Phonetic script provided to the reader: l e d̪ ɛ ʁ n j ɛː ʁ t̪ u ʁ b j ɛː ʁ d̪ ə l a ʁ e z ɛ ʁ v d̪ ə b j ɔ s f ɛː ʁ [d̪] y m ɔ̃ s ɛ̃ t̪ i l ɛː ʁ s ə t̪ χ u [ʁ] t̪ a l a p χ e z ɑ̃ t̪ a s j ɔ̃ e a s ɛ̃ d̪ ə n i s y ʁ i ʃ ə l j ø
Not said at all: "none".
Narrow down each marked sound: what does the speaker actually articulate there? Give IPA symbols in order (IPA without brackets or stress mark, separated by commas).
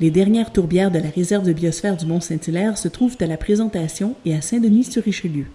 d̪, v